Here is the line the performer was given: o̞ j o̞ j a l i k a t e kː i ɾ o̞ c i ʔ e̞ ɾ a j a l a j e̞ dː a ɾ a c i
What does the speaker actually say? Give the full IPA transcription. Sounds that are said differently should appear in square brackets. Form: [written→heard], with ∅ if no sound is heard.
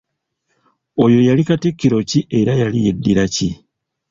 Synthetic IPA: o̞ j o̞ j a l i k a t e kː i ɾ o̞ c i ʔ e̞ ɾ a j a l [a→i] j e̞ dː [a→i] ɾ a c i